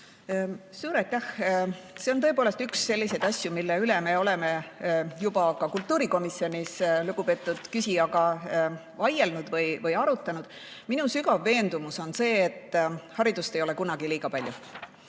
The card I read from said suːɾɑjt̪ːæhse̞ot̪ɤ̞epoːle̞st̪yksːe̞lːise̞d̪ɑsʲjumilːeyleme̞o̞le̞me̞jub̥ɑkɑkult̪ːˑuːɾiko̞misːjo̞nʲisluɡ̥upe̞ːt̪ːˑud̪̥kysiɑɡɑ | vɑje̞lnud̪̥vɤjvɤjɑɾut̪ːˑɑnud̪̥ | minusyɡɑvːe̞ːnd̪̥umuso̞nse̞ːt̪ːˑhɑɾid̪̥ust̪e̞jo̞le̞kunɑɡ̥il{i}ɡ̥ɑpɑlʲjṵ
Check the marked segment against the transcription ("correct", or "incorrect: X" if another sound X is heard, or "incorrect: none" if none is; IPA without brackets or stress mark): incorrect: iː